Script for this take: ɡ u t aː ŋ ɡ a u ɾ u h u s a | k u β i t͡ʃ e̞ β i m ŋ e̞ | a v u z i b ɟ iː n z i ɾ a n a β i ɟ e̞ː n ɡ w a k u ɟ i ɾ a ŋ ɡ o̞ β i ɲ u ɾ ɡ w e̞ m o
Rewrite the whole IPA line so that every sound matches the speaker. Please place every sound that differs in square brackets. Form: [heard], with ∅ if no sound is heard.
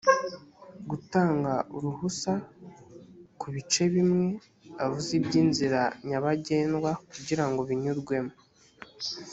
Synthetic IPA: ɡ u t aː ŋ ɡ a u ɾ u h u s a | k u β i t͡ʃ e̞ β i m ŋ e̞ | a v u z i b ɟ iː n z i ɾ a [ɲ] a β [a] ɟ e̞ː n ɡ w a k u ɟ i ɾ a ŋ ɡ o̞ β i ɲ u ɾ ɡ w e̞ m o